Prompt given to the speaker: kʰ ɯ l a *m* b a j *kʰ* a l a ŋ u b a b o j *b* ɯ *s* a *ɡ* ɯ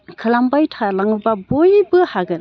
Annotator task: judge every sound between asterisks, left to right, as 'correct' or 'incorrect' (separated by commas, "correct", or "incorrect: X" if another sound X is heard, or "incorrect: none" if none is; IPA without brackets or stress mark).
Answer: correct, incorrect: tʰ, correct, incorrect: h, correct